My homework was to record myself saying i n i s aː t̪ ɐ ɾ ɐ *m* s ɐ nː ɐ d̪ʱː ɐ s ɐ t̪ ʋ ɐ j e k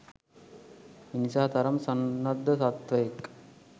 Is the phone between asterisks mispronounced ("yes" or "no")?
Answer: no